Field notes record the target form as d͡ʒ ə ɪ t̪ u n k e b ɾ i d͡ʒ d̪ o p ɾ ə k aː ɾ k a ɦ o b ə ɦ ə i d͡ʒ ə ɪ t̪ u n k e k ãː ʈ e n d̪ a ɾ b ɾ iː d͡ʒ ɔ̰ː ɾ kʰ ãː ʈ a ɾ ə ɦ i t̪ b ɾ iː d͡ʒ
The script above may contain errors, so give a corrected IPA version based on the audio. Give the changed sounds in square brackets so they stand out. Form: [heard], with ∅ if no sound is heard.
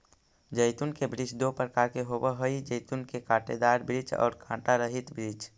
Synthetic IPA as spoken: d͡ʒ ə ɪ t̪ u n k e b ɾ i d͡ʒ d̪ o p ɾ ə k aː ɾ k [e] ɦ o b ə ɦ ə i d͡ʒ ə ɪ t̪ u n k e k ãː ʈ e [∅] d̪ a ɾ b ɾ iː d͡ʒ ɔ̰ː ɾ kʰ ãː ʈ a ɾ ə ɦ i t̪ b ɾ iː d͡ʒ